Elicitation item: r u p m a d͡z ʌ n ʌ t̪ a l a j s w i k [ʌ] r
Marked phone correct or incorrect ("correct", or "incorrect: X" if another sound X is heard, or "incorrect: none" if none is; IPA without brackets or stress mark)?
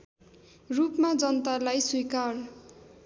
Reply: incorrect: a